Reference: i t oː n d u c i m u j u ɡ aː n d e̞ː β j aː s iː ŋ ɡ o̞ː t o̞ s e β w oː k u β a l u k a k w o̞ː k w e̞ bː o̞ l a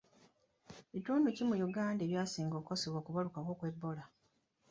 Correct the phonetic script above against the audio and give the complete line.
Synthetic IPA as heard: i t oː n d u c i m u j u ɡ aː n d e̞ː β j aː s iː ŋ ɡ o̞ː k o̞ s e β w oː k u β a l u k a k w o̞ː k w e̞ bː o̞ l a

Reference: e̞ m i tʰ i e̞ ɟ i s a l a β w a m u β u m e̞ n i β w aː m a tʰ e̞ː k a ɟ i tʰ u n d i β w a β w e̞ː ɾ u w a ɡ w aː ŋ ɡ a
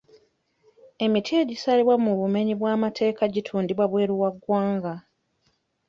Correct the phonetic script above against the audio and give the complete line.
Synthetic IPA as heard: e̞ m i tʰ i e̞ ɟ i s a l i β w a m u β u m e̞ ɲ i β w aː m a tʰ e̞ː k a ɟ i tʰ uː n d i β w a β w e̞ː ɾ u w a ɡ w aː ŋ ɡ a

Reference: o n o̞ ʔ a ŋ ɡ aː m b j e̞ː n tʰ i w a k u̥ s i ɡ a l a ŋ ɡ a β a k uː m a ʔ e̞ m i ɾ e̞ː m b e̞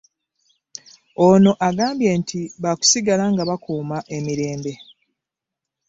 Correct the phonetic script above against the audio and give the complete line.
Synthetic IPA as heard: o n o̞ ʔ a ɡ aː m b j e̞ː n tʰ i β a k u̥ s i ɡ a l a ŋ ɡ a β a k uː m a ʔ e̞ m i ɾ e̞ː m b e̞

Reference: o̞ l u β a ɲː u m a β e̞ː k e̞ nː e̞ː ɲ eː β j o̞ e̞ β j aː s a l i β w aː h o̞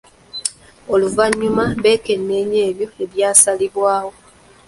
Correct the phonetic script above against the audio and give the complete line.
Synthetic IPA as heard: o̞ l u v a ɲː u m a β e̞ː k e̞ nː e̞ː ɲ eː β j o̞ e̞ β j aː s a l i β w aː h o̞

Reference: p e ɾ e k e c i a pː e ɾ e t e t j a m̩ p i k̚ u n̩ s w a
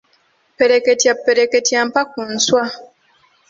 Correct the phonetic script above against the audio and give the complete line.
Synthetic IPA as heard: p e ɾ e k e t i a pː e ɾ e k e t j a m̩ p a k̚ u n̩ s w a

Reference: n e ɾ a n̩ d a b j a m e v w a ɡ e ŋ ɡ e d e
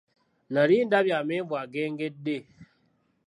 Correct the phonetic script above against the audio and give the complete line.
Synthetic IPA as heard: n a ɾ i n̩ d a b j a m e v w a ɡ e ŋ ɡ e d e

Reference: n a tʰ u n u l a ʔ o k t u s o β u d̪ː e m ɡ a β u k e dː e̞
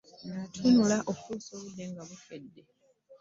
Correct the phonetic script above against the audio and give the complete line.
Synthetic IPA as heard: n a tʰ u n u l a ʔ o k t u s o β u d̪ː e ŋ ɡ a β u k e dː e̞

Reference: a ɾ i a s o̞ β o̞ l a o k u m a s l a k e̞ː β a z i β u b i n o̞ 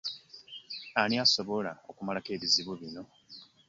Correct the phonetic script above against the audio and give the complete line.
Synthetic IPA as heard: a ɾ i a s o̞ β o̞ l a o k u m a l a k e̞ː β i z i β u β i n o̞

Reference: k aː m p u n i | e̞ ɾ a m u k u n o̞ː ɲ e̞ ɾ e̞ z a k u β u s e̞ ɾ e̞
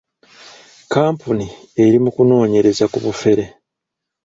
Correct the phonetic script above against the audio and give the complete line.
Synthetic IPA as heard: k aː m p u n i | e̞ ɾ i m u k u n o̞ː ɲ e̞ ɾ e̞ z a k u β u f e̞ ɾ e̞

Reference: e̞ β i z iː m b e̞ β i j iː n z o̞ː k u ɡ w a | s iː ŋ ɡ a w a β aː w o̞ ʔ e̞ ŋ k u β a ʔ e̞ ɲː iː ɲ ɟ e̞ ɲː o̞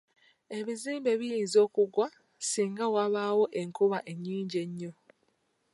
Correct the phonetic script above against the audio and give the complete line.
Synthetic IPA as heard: e̞ β i z iː m b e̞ β i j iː n z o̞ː k u ɡ w a | s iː ŋ ɡ a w a β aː w o̞ ʔ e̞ ŋ k u β a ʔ e̞ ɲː iː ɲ ɟ e̞ ɲː o̞

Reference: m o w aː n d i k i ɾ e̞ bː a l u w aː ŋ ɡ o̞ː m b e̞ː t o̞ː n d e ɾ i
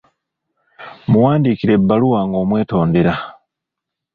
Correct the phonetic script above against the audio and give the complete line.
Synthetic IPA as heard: m u w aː n d i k i ɾ e̞ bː a l u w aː ŋ ɡ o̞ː m w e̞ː t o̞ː n d e ɾ a

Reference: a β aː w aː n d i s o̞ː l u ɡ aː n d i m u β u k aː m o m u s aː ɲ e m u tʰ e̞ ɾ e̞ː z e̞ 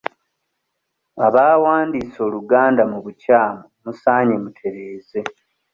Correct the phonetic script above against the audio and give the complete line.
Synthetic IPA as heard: a β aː w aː n d i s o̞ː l u ɡ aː n d a m u β u c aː m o m u s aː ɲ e m u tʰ e̞ ɾ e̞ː z e̞

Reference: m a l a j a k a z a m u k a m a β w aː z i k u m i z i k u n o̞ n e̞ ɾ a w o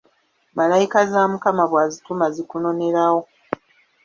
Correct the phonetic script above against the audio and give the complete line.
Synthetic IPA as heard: m a l a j i k a z a m u k a m a β w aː z i t u m a z i k u n o̞ n e̞ ɾ a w o

